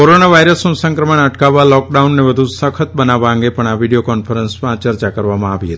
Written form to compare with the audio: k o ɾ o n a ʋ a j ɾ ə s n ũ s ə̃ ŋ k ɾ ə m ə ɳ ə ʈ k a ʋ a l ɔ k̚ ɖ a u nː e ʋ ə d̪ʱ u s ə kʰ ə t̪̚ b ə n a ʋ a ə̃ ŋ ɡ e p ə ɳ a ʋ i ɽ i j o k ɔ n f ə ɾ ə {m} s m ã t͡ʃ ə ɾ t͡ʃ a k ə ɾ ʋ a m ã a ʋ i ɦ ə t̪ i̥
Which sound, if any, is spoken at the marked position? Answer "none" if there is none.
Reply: n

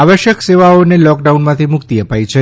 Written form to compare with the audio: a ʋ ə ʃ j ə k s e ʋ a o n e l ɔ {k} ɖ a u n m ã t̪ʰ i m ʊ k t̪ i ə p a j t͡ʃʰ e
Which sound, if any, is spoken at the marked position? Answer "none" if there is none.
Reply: k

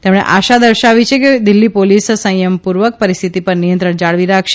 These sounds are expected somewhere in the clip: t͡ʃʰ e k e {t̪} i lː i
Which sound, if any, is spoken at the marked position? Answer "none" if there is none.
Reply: d̪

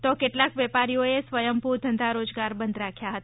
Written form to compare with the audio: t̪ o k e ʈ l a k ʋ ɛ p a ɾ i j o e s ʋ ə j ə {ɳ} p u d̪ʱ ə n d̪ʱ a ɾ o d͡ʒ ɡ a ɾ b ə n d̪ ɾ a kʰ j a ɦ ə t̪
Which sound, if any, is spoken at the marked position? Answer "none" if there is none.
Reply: m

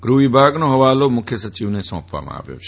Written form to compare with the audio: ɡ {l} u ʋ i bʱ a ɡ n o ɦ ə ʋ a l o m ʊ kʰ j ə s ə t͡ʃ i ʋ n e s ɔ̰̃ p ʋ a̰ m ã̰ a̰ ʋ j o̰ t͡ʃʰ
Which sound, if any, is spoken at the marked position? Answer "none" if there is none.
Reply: ɾ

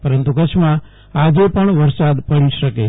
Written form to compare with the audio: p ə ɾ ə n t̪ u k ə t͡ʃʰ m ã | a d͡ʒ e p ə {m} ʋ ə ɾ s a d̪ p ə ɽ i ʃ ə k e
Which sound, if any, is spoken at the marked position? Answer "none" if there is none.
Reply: ɳ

